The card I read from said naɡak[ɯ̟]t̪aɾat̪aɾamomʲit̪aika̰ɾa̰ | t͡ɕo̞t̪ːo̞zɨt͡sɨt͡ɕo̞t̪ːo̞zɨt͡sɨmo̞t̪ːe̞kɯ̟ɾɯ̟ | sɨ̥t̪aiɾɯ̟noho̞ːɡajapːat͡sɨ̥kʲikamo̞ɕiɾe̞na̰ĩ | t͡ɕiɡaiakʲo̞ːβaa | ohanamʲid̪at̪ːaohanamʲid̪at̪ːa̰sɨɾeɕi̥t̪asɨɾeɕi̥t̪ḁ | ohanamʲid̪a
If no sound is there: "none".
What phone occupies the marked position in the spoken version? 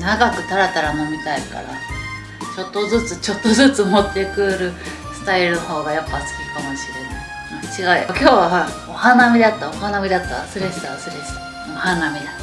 ɯ̟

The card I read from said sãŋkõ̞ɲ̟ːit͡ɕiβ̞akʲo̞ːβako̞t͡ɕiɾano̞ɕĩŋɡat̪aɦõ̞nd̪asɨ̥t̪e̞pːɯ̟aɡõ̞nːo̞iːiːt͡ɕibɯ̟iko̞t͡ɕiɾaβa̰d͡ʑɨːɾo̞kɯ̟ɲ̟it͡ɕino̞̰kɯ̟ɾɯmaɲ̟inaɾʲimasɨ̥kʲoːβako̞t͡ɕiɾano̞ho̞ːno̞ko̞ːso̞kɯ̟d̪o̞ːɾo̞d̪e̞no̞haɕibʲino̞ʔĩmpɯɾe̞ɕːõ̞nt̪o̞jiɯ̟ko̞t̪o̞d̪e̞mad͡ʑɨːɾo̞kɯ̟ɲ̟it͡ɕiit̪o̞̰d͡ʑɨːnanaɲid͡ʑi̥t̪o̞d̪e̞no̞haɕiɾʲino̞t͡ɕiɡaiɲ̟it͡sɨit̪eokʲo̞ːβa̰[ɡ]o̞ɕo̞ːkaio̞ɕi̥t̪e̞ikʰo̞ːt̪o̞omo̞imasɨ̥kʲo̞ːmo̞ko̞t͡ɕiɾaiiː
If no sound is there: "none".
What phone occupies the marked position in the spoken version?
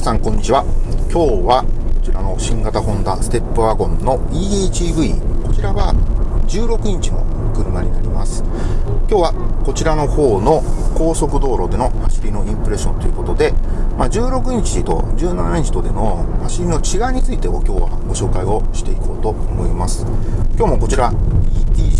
ɡ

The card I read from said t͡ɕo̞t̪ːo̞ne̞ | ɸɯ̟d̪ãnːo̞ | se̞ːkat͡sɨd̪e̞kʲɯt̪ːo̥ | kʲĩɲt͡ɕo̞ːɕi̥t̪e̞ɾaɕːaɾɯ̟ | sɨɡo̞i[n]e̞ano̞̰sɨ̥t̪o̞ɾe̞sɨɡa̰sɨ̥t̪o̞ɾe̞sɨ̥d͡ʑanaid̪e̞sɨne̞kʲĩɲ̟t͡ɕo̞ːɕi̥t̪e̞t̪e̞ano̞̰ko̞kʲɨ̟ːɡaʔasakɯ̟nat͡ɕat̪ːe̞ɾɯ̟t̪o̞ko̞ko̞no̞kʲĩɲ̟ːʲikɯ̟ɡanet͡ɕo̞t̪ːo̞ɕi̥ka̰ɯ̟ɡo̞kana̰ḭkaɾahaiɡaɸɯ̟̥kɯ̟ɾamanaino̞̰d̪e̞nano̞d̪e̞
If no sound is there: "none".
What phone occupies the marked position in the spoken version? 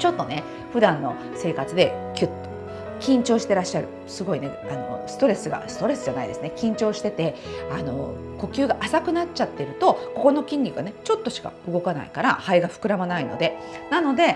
n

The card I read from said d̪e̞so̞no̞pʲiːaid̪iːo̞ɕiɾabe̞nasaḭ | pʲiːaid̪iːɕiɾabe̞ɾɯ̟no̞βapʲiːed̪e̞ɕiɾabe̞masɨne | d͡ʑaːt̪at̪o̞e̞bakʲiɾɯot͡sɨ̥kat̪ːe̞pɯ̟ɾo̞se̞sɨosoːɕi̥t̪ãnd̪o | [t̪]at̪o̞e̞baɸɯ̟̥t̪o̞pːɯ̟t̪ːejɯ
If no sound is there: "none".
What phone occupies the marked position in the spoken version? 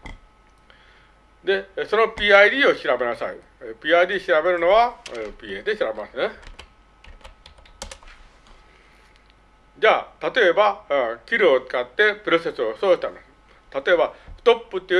t̪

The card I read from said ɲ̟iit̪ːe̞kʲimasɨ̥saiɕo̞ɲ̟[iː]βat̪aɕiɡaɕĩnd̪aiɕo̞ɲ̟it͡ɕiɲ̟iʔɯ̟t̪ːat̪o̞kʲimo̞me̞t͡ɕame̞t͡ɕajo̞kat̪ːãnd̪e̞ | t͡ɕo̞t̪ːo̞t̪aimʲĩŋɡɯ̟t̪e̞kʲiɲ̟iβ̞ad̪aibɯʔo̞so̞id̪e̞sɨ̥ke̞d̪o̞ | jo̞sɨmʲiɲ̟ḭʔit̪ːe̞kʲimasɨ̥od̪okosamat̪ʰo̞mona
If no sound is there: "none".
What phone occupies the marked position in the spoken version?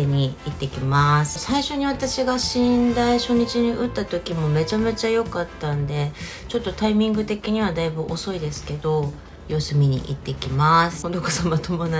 i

